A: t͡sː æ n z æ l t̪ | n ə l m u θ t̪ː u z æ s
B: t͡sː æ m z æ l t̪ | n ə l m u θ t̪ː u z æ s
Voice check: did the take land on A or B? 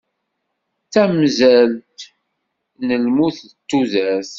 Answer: B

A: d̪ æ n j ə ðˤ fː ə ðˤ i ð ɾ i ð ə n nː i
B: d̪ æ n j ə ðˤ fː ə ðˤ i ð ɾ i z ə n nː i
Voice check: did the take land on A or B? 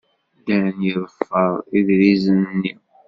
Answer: B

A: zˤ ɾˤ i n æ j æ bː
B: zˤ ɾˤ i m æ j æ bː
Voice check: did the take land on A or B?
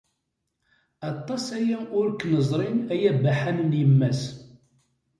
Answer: A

